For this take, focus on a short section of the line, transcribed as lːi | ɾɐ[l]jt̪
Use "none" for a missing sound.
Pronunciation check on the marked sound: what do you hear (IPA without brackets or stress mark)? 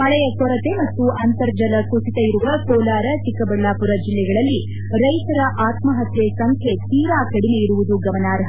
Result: none